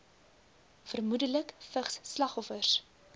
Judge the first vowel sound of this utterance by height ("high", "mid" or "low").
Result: mid